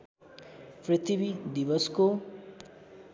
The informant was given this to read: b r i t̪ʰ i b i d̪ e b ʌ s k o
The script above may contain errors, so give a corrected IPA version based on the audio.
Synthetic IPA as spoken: p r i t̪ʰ i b i d̪ i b ʌ s k o